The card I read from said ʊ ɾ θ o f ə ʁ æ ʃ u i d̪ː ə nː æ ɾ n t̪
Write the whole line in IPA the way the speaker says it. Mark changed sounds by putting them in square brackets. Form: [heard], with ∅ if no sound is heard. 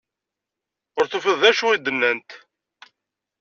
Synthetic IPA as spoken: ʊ ɾ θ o f ə [ð] æ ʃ u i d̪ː ə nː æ [∅] n t̪